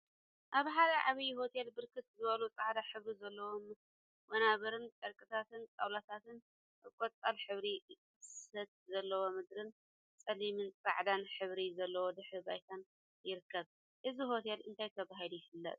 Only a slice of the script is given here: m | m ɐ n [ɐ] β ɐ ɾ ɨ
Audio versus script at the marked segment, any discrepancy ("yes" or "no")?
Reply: yes